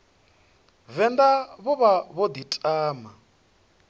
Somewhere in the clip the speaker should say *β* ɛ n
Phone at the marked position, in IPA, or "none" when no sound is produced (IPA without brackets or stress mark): v